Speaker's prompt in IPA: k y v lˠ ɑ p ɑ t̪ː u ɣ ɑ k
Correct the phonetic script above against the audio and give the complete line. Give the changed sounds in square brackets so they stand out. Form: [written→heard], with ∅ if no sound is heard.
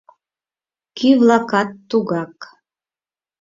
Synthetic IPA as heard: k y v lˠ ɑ [p→k] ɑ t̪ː u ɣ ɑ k